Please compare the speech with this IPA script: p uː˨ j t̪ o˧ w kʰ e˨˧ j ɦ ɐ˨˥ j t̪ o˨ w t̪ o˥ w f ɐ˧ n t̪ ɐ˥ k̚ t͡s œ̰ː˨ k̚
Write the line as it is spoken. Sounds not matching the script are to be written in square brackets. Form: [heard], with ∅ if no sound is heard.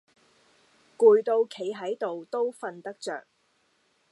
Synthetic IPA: [k] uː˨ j t̪ o˧ w kʰ e˨˧ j ɦ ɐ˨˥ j t̪ o˨ w t̪ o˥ w f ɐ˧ n t̪ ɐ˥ k̚ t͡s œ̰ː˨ k̚